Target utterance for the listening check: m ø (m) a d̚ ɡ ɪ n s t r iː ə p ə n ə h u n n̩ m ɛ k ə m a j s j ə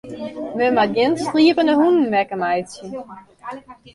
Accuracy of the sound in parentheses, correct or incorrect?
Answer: correct